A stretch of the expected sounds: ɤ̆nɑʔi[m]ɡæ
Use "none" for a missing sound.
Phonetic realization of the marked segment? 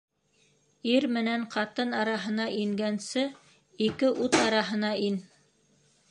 ŋ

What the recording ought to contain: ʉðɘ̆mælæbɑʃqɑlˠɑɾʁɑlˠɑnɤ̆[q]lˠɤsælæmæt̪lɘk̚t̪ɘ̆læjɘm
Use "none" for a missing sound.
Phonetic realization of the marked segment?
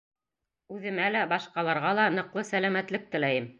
q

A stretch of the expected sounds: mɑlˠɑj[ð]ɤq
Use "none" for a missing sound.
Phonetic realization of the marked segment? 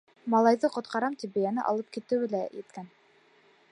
ð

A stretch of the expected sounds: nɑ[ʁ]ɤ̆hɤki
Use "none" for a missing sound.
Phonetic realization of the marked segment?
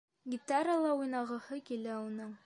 ʁ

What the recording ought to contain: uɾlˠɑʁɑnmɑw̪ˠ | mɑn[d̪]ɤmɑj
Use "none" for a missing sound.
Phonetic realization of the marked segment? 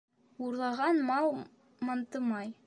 t̪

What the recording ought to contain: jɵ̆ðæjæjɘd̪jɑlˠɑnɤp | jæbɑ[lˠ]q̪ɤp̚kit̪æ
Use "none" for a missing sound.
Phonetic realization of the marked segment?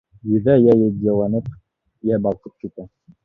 lˠ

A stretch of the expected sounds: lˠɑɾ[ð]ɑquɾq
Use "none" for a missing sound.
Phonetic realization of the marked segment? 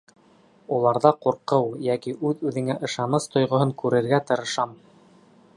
ð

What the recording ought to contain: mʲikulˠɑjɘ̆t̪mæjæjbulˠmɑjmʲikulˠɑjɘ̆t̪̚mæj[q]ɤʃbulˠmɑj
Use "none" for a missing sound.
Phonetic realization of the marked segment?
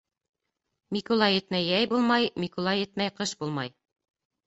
q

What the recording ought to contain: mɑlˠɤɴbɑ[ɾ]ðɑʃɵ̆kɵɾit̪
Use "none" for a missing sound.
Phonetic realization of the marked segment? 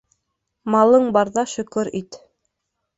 ɾ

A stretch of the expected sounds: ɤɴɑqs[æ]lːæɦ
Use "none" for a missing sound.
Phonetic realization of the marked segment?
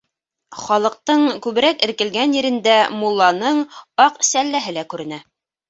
æ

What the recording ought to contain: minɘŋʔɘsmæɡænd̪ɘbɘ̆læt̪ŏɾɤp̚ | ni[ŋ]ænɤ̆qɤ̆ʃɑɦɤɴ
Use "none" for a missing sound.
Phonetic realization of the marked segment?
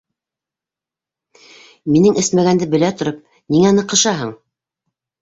ŋ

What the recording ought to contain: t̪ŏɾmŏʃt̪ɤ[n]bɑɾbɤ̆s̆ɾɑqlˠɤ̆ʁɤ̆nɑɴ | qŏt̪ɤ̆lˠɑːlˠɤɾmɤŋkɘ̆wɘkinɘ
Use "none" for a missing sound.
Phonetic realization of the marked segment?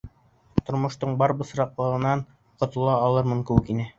ɴ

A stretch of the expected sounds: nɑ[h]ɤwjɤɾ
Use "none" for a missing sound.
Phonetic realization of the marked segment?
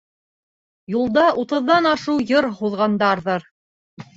ʃ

